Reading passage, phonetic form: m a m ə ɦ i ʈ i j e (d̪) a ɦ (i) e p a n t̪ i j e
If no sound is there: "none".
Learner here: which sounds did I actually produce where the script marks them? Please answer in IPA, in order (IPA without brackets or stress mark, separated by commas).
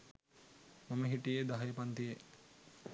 d̪, j